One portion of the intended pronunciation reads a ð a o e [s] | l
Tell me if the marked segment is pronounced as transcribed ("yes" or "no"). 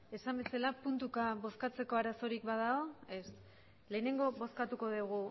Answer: yes